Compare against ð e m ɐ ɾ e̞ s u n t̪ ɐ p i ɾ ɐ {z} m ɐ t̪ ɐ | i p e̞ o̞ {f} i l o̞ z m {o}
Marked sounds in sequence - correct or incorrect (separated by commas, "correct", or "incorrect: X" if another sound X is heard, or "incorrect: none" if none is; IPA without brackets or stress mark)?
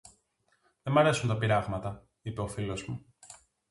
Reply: incorrect: ɣ, correct, incorrect: u